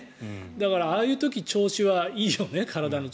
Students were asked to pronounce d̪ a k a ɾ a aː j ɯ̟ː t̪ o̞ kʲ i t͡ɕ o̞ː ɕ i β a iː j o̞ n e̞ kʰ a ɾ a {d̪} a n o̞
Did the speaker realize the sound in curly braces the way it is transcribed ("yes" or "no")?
yes